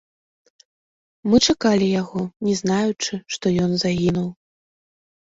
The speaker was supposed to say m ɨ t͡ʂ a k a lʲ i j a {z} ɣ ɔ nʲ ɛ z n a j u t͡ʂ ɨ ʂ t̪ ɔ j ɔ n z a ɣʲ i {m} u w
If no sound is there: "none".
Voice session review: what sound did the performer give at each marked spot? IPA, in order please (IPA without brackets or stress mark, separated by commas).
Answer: none, n